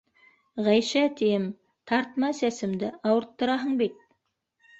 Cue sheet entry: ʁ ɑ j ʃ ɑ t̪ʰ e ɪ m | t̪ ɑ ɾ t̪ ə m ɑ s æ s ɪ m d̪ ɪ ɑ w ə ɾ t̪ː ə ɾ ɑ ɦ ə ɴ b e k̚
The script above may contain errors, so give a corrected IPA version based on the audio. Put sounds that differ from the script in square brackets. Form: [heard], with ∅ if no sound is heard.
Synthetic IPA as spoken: ʁ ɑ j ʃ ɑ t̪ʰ e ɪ m | [t̪ʰ] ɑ ɾ t̪ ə m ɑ s æ s ɪ m d̪ ɪ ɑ w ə ɾ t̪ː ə ɾ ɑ ɦ ə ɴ b e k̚